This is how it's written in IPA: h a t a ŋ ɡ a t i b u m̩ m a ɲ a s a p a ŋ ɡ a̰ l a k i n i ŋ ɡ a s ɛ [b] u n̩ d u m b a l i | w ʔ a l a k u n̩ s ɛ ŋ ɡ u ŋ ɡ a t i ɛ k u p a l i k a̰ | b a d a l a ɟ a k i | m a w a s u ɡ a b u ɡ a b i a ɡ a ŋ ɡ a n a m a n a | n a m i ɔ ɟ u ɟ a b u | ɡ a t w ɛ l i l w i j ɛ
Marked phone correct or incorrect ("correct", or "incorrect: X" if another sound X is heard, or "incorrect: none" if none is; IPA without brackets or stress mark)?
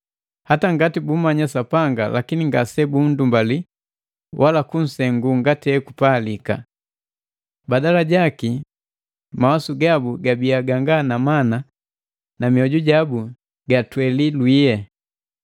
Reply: correct